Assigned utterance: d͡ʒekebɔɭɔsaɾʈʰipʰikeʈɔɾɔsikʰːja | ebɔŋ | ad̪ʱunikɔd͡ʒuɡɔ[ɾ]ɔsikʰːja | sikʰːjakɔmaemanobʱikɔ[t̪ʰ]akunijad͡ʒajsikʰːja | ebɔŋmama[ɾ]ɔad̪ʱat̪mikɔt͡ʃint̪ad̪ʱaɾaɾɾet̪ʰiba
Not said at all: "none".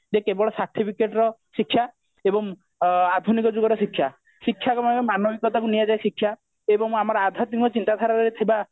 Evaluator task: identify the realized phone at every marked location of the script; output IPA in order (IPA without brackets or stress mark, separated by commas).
ɾ, t̪, ɾ